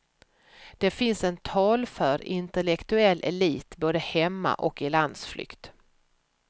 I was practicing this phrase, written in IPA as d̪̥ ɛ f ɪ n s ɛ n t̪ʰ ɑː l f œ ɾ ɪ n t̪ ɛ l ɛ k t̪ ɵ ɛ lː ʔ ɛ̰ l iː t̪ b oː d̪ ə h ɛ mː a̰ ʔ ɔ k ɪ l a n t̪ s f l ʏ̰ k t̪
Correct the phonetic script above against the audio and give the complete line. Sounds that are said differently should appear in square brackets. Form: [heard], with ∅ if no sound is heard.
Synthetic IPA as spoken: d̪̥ ɛ f ɪ n s ɛ n t̪ʰ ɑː l f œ ɾ ɪ n t̪ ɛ l ɛ k t̪ ɵ ɛ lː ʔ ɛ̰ l iː t̪ b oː d̪ ə h ɛ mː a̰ ʔ ɔ k ɪ l a n [d̪] s f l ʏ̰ k t̪